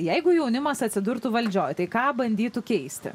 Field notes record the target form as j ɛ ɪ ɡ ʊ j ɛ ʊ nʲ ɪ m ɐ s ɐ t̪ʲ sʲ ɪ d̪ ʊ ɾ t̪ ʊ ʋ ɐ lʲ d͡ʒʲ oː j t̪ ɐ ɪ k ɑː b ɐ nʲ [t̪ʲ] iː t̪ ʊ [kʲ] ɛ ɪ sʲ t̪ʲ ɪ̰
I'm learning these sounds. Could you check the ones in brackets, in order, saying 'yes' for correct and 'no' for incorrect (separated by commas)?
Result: no, yes